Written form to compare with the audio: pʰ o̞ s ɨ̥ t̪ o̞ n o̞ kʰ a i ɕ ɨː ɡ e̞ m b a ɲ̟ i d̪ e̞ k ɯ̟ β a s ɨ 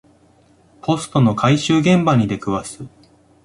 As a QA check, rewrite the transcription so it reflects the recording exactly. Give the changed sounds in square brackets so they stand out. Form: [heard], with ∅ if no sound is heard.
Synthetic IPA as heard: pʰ o̞ s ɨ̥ t̪ o̞ n o̞ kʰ a i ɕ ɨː ɡ [ẽ̞] m b a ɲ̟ i d̪ e̞ k ɯ̟ β a s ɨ